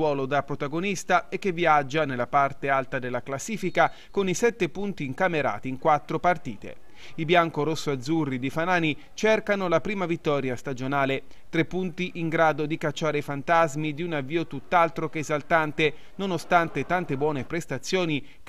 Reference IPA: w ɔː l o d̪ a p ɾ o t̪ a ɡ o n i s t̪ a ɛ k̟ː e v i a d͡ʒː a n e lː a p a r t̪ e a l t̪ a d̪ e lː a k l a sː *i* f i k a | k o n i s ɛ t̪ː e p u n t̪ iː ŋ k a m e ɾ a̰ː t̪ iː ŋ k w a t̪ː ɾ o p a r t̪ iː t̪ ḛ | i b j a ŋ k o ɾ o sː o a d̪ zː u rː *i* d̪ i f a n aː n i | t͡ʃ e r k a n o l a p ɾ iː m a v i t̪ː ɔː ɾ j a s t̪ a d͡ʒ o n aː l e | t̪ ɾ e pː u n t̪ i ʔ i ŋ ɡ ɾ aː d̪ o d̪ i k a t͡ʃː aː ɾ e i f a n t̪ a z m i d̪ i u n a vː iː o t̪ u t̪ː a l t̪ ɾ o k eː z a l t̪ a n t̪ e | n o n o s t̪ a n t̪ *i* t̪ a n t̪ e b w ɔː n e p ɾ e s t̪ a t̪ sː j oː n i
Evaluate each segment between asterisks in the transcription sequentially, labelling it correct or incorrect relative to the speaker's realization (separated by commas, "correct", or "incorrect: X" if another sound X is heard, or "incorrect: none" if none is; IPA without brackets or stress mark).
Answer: incorrect: iː, correct, incorrect: e